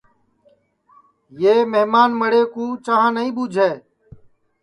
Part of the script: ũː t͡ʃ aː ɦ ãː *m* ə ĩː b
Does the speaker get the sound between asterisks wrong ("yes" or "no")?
yes